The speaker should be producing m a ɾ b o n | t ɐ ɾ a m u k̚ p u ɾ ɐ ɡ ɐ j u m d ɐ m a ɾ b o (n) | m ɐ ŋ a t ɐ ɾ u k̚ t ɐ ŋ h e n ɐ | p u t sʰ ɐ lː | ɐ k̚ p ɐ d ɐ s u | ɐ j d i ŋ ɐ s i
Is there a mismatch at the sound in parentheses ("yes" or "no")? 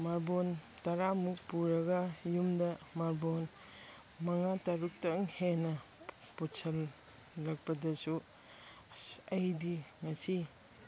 no